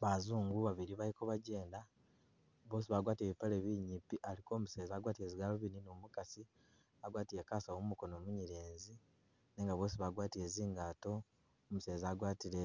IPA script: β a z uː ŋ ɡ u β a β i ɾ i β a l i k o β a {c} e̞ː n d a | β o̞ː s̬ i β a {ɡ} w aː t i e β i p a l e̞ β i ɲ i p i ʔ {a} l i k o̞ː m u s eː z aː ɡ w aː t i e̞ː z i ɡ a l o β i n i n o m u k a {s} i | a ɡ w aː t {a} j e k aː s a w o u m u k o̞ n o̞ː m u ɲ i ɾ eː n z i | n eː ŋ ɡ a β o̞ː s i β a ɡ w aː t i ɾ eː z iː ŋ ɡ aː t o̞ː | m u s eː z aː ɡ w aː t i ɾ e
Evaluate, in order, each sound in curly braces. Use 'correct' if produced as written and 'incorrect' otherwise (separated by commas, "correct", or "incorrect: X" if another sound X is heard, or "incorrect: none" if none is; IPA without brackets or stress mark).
incorrect: ɟ, correct, correct, correct, incorrect: i